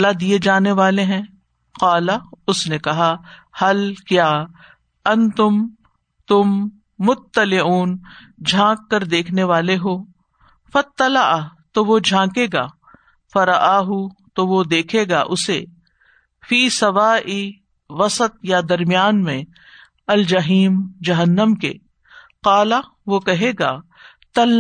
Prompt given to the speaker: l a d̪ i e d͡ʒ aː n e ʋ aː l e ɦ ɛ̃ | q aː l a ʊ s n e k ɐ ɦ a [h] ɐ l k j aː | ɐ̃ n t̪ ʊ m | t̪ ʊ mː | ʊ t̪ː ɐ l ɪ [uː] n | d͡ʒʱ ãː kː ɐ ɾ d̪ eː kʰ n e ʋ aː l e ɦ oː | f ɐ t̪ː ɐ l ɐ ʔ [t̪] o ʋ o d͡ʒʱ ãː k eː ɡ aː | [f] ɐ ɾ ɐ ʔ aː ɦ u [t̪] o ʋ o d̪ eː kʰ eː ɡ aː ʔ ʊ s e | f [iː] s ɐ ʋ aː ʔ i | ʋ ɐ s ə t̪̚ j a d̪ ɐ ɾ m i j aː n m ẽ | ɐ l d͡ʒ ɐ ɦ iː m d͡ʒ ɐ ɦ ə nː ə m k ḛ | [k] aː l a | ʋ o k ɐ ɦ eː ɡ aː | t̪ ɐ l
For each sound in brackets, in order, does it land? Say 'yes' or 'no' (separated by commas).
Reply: yes, yes, yes, yes, yes, yes, no